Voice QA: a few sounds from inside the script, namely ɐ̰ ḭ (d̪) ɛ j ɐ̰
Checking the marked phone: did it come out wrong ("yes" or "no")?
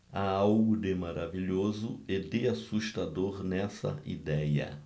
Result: no